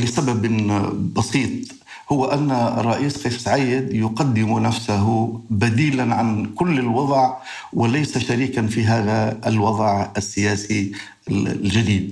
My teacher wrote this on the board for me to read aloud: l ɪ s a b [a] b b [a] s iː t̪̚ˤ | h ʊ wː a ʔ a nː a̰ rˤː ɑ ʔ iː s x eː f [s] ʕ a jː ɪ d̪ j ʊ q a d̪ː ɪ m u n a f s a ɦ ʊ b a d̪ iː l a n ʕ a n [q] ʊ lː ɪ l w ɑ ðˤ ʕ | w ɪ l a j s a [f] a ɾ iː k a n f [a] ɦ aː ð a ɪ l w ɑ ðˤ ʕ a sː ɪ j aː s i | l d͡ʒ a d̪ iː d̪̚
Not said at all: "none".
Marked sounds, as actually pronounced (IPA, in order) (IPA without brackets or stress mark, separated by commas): a, ɑ, s, k, ʃ, i